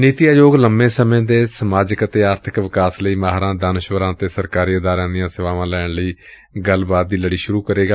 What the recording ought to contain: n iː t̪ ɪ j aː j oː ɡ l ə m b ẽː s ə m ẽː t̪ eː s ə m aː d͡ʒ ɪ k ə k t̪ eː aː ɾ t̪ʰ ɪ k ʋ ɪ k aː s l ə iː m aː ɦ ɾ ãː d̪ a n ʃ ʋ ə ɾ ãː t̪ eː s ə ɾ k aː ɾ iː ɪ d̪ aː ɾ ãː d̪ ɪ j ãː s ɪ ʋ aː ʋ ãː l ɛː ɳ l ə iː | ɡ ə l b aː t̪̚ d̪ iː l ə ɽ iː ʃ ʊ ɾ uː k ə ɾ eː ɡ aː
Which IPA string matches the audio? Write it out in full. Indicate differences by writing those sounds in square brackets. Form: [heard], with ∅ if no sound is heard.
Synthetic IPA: n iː t̪ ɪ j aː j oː ɡ l ə m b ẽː s ə m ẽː [d̪] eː s ə m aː d͡ʒ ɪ k ə [∅] t̪ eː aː ɾ t̪ʰ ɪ k ʋ ɪ k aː s l ə iː m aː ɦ ɾ ãː d̪ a n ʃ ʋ ə ɾ ãː t̪ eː s ə ɾ k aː ɾ iː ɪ d̪ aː ɾ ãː d̪ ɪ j ãː s ɪ ʋ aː ʋ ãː l ɛː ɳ l ə iː | ɡ ə l b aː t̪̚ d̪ iː l ə ɽ iː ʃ ʊ ɾ uː k ə ɾ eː ɡ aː